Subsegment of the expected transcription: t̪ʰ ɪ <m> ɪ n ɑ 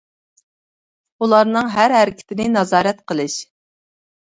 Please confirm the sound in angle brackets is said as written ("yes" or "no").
no